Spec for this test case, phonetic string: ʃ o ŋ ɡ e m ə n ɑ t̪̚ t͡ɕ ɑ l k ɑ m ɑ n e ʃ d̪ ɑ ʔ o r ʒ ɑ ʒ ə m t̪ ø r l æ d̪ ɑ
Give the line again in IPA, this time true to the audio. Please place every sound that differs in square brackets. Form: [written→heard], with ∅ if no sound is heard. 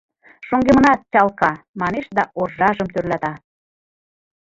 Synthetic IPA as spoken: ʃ o ŋ ɡ e m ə n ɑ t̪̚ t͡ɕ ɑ l k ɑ m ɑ n e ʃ d̪ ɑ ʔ o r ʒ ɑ ʒ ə m t̪ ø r l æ [d̪→t̪] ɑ